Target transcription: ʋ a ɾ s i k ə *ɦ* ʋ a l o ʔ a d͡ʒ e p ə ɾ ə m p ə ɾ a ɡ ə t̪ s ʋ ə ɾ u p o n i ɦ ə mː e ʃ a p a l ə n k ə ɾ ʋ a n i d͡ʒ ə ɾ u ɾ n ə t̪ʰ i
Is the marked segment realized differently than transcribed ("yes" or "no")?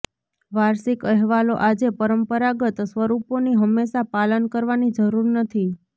no